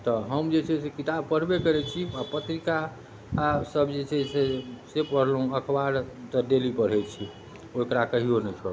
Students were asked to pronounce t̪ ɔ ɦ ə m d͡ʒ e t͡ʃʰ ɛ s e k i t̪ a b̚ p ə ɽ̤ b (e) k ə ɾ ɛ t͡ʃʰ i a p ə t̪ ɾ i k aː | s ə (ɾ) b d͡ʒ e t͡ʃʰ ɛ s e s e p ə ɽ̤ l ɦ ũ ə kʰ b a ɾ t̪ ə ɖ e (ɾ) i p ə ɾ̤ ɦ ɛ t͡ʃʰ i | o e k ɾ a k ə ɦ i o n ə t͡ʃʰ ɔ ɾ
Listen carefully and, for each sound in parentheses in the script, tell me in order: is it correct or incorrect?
correct, incorrect: none, incorrect: l

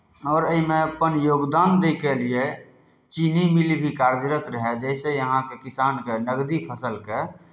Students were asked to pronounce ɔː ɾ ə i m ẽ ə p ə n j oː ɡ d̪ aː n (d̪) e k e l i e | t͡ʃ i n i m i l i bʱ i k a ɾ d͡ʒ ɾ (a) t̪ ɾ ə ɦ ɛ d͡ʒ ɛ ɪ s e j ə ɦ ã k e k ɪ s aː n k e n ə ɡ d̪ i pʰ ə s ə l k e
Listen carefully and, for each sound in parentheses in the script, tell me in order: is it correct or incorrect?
correct, incorrect: ə

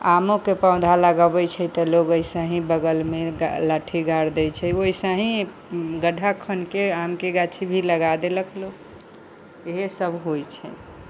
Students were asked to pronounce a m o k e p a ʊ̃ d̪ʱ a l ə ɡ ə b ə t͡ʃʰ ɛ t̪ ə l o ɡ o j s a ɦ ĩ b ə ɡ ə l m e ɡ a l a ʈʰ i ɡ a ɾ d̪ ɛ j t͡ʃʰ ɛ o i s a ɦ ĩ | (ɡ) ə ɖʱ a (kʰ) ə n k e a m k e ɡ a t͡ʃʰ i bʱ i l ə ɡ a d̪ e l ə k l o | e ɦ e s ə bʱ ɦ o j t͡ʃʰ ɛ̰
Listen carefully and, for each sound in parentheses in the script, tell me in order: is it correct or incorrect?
correct, correct

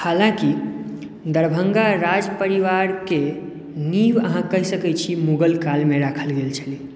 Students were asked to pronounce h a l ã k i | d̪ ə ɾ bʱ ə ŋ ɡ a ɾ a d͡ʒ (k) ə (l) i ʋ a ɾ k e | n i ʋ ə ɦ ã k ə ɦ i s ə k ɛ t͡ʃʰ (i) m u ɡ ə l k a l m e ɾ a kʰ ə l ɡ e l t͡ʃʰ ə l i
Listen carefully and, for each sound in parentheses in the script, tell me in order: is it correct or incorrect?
incorrect: p, incorrect: ɾ, correct

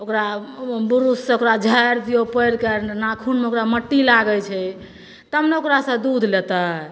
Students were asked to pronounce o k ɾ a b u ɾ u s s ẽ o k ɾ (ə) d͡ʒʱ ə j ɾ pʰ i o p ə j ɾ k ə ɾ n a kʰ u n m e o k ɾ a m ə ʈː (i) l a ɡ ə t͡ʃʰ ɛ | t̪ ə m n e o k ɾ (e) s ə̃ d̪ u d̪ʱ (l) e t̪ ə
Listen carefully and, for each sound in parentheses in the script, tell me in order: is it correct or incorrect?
incorrect: a, correct, incorrect: a, correct

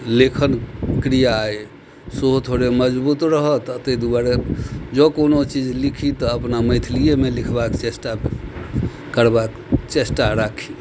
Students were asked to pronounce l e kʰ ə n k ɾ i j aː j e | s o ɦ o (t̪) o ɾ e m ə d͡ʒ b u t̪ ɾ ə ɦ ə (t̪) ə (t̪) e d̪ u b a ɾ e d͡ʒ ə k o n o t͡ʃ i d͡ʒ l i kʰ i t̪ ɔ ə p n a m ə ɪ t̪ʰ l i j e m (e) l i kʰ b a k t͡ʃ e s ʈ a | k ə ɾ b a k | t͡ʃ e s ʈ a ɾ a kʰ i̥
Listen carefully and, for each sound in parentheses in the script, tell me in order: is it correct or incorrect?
incorrect: t̪ʰ, correct, correct, correct

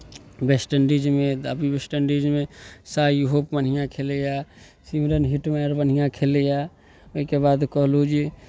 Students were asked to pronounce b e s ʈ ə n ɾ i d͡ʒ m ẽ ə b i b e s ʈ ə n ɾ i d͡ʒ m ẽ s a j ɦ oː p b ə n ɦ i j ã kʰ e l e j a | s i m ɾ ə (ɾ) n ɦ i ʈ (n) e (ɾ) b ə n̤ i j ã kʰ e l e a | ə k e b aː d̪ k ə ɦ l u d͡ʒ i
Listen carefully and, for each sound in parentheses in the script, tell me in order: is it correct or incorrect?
incorrect: none, incorrect: m, correct

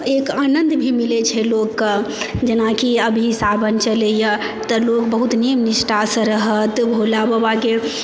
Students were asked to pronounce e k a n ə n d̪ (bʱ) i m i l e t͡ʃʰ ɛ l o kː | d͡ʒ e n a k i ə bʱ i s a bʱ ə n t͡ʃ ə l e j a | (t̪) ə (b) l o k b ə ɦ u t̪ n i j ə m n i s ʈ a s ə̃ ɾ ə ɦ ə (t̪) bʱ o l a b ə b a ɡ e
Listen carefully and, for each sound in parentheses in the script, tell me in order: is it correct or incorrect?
correct, correct, incorrect: none, correct

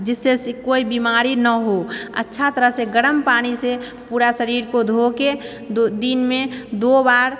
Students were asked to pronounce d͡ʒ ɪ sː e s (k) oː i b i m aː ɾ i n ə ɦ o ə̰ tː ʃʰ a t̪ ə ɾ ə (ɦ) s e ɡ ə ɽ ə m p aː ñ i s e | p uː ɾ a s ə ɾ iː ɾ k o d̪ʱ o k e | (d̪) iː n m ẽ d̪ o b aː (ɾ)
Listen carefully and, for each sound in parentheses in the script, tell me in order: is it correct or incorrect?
correct, correct, correct, correct

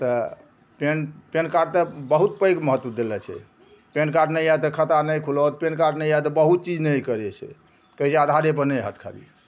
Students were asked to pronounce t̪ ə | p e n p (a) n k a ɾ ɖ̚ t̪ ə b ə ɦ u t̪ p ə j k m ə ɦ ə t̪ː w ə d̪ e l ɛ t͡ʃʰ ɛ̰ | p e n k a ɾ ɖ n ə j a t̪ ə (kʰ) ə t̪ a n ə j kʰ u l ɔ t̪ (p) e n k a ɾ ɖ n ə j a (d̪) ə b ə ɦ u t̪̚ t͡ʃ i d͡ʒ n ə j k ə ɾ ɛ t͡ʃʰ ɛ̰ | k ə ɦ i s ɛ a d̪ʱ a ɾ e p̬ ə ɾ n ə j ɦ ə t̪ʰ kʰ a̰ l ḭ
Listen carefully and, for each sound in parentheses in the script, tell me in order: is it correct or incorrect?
incorrect: e, correct, correct, incorrect: t̪

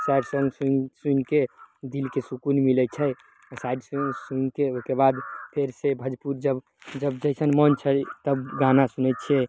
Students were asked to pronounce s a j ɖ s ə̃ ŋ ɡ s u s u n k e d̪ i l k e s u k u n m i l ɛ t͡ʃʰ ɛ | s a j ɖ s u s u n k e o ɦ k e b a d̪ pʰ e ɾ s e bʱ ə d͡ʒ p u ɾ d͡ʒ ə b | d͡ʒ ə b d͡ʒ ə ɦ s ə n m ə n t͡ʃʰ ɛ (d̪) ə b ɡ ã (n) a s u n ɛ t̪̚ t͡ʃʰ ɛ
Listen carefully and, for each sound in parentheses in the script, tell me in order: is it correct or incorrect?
incorrect: t̪, correct

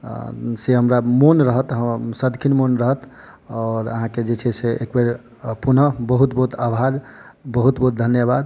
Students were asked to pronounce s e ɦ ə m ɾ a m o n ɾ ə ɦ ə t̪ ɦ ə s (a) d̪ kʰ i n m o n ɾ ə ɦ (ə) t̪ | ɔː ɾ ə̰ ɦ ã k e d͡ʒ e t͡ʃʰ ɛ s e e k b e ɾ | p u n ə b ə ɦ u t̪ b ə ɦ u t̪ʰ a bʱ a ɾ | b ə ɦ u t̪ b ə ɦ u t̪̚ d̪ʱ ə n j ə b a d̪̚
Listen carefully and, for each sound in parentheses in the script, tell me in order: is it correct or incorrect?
incorrect: ə, correct

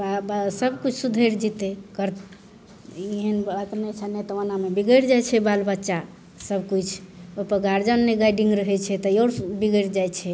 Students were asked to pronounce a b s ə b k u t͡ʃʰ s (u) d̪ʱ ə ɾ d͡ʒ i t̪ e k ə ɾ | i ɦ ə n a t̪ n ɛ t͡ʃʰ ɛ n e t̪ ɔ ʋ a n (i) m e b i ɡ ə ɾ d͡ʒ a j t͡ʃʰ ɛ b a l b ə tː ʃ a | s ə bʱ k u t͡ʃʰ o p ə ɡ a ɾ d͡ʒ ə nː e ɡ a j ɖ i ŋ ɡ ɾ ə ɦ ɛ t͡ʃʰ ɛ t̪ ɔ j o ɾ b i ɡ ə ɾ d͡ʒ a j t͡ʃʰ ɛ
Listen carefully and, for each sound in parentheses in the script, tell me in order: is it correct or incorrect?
correct, incorrect: a

